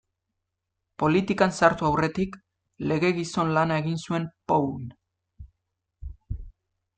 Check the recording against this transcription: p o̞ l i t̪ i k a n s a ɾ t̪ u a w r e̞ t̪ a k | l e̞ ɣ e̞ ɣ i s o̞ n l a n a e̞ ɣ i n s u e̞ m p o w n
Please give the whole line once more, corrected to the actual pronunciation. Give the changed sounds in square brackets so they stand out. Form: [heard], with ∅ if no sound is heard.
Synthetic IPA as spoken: p o̞ l i t̪ i k a n s a ɾ t̪ u a w r e̞ t̪ [i] k | l e̞ ɣ e̞ ɣ i s o̞ n l a n a e̞ ɣ i n s u e̞ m p o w n